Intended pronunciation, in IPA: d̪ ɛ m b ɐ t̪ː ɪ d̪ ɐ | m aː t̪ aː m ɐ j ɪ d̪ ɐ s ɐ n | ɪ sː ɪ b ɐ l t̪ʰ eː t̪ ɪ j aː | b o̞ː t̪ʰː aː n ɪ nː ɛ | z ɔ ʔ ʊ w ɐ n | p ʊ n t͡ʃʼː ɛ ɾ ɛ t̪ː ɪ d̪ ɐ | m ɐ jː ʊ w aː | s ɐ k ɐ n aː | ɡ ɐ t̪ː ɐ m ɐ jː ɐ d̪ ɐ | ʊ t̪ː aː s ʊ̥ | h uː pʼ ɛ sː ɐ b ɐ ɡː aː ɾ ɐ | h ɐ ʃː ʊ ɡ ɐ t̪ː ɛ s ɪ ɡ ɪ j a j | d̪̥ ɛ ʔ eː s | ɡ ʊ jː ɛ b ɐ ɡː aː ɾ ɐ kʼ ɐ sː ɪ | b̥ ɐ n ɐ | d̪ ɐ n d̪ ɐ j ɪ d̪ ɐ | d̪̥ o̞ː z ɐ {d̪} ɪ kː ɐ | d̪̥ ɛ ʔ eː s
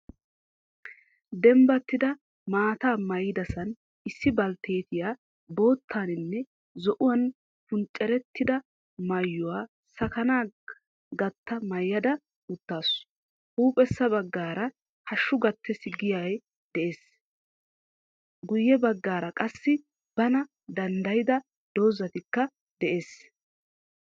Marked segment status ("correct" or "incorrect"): incorrect